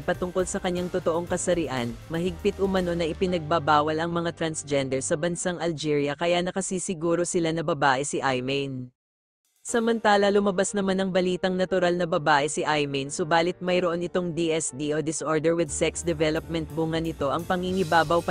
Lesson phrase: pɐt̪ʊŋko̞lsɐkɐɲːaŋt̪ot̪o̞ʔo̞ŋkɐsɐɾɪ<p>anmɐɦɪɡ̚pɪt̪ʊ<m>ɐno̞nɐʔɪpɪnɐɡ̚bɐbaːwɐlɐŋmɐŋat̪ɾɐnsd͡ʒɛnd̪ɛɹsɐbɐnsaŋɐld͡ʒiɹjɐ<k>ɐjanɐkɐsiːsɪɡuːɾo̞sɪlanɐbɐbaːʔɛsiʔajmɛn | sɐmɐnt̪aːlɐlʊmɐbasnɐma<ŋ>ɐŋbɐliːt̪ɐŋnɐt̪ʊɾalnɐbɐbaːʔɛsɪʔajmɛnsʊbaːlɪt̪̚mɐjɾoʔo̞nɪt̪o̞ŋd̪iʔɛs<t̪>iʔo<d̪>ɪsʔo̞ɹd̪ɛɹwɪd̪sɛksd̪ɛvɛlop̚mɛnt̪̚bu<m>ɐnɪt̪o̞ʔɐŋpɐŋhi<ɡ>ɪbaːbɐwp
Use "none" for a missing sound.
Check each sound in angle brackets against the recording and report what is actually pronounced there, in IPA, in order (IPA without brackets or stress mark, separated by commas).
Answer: ʔ, m, k, n, d̪, d̪, ŋ, ŋ